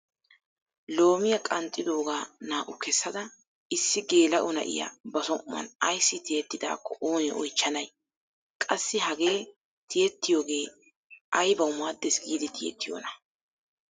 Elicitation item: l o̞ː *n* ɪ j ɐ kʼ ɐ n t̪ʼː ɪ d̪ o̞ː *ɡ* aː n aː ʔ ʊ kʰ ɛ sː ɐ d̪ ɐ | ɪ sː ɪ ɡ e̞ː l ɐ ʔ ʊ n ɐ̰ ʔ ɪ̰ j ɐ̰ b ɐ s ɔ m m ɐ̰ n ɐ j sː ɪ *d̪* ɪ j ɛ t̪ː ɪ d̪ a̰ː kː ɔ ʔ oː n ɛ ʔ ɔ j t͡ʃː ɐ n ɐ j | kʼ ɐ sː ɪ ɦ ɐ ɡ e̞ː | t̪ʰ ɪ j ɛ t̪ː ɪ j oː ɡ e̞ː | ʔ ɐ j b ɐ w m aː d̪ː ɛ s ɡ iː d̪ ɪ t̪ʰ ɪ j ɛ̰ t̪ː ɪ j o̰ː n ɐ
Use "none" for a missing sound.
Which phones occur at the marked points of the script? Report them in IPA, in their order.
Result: m, ɡ, t̪

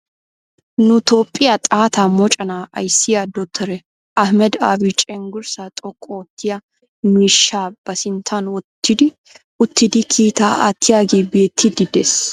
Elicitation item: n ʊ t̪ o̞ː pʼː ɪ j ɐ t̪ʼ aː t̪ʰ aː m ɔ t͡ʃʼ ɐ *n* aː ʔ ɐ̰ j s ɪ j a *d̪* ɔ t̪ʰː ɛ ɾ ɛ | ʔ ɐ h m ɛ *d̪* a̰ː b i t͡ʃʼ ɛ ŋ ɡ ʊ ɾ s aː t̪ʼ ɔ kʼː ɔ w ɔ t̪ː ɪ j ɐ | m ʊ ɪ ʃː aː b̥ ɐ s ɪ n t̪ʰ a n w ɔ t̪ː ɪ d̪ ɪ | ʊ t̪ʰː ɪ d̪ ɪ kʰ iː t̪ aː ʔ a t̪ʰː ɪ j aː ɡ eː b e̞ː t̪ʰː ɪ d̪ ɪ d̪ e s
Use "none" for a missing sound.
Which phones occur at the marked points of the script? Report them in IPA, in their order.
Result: n, d̪, d̪

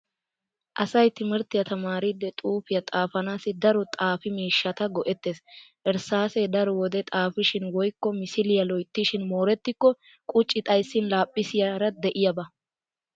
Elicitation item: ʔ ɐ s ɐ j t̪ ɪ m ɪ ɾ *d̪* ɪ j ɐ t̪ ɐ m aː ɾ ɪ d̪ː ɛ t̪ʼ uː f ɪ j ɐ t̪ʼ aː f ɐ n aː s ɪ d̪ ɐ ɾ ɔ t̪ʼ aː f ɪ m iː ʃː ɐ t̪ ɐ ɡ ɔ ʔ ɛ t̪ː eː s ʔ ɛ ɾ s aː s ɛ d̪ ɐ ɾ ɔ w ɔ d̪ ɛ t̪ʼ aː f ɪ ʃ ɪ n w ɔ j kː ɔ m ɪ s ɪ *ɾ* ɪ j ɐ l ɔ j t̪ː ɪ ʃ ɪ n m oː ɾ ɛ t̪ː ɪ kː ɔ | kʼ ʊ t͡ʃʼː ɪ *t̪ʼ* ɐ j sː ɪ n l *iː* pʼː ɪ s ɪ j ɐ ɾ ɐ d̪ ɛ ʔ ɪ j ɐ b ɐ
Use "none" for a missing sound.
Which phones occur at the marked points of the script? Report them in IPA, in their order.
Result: t̪, l, t̪ʼ, aː

